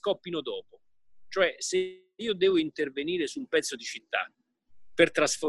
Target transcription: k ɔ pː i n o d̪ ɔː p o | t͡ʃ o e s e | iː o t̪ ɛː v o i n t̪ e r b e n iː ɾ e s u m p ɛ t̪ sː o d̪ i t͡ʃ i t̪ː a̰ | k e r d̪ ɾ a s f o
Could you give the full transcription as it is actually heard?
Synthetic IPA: k ɔ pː i n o d̪ ɔː p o | t͡ʃ o ɛ s e | iː o d̪ ɛː v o i n t̪ e r v e n iː ɾ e s u m p ɛ t̪ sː o d̪ i t͡ʃ i t̪ː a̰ | p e r t̪ ɾ a s f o